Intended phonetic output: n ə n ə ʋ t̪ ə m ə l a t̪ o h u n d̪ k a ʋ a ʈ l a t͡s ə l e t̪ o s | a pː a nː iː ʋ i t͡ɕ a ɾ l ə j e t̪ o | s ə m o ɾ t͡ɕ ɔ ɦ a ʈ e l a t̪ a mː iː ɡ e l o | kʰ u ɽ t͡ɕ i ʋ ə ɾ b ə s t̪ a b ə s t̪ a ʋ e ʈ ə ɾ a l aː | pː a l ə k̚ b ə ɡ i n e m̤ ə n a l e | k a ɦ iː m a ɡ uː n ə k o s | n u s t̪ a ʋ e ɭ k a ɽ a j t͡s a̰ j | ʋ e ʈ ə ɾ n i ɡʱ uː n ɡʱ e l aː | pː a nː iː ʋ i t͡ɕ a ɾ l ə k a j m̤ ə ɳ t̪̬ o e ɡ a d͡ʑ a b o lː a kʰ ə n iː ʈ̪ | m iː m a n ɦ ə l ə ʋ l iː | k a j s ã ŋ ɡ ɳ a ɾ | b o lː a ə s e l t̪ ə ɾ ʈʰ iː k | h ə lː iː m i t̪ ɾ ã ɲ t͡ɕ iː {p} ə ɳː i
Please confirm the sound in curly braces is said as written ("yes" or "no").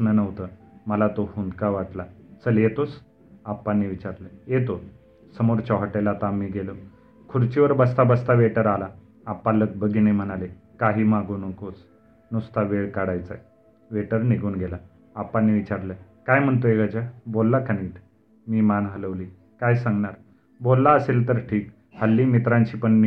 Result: yes